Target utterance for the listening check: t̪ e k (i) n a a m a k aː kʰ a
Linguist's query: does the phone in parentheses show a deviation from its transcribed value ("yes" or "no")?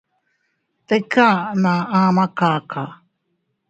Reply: yes